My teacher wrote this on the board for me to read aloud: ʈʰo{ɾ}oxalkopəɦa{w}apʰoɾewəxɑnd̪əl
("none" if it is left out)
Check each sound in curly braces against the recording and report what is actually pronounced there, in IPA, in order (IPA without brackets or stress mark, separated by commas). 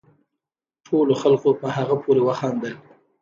l, ɣ